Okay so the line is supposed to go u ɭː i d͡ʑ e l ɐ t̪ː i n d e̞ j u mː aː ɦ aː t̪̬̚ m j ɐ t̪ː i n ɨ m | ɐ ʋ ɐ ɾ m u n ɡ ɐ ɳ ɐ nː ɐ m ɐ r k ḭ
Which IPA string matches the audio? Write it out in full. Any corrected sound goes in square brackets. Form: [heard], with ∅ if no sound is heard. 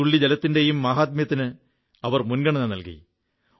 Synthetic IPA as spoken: u ɭː i d͡ʑ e l ɐ t̪ː i n d e̞ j u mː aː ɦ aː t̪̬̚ m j ɐ t̪ː i n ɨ [∅] | ɐ ʋ ɐ [r] m u n ɡ ɐ ɳ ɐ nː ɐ [n] ɐ [l] k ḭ

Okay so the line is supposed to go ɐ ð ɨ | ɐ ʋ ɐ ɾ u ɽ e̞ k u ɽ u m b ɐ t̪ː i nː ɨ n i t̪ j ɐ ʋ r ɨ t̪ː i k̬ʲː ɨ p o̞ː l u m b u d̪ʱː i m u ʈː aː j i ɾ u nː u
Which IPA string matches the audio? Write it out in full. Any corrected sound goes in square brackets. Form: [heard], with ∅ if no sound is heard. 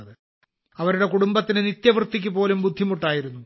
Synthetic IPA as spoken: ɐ ð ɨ | ɐ ʋ ɐ ɾ u ɽ e̞ k u ɽ u m b ɐ t̪ː i [n] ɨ n i t̪ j ɐ ʋ r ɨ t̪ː i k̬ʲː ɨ p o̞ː l u m b u d̪ʱː i m u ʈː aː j i ɾ u nː u

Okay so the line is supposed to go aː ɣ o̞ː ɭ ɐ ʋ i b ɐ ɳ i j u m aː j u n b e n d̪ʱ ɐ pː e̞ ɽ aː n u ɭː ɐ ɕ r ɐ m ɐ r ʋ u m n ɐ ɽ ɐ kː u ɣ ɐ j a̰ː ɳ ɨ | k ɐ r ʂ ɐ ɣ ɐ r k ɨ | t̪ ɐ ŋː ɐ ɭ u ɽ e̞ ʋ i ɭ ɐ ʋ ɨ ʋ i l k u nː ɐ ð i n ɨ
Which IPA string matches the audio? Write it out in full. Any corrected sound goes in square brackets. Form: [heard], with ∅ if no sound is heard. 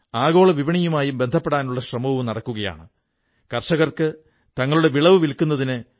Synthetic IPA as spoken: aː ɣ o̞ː ɭ ɐ ʋ i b ɐ ɳ i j u m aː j u [m] b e n d̪ʱ ɐ pː e̞ ɽ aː n u ɭː ɐ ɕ r ɐ m ɐ [∅] ʋ u m n ɐ ɽ ɐ kː u ɣ ɐ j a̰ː ɳ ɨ | k ɐ r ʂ ɐ ɣ ɐ r k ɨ | t̪ ɐ ŋː ɐ ɭ u ɽ e̞ ʋ i ɭ ɐ ʋ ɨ ʋ i l k u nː ɐ ð i n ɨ

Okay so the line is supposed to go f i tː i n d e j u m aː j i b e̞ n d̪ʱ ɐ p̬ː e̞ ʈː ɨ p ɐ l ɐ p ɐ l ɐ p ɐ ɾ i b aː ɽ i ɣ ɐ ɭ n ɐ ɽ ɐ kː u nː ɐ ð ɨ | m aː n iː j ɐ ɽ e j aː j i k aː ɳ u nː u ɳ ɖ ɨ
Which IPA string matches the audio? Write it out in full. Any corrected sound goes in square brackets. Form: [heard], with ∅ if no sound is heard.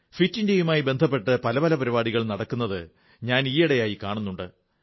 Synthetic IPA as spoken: f i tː i n d e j u m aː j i b e̞ n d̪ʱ ɐ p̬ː e̞ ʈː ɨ p ɐ l ɐ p ɐ l ɐ p ɐ ɾ i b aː ɽ i ɣ ɐ ɭ n ɐ ɽ ɐ kː u nː ɐ ð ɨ | [ɲ] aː n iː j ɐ ɽ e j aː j i k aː ɳ u nː u ɳ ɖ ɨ

